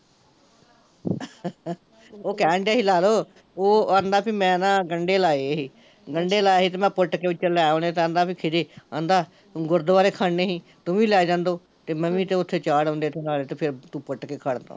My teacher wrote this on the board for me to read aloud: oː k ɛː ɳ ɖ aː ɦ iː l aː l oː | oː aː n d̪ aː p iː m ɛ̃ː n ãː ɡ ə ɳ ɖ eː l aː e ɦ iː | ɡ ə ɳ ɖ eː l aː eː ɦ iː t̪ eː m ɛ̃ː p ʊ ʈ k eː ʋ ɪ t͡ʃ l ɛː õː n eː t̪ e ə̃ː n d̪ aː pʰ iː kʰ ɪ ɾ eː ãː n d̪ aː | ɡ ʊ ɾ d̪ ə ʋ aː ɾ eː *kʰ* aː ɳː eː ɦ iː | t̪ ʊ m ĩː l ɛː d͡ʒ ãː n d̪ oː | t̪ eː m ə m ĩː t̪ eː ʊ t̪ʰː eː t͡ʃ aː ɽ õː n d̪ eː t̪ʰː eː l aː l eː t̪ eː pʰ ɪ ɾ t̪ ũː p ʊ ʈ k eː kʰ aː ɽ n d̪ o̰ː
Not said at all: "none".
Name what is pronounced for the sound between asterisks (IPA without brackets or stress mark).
kʰ